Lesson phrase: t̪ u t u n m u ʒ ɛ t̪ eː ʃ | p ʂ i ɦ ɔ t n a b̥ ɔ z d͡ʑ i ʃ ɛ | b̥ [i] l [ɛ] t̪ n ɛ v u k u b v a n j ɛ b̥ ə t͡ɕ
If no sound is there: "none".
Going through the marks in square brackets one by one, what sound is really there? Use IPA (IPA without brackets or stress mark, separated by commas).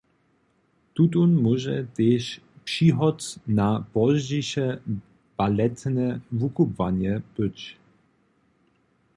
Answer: a, ɛ